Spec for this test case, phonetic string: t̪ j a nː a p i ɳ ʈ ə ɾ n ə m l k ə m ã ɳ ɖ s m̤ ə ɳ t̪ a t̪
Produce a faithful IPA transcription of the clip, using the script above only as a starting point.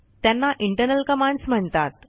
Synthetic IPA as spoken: t̪ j a nː a ʔ i ɳ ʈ ə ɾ n ə l k ə m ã ɳ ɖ s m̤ ə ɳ t̪ a t̪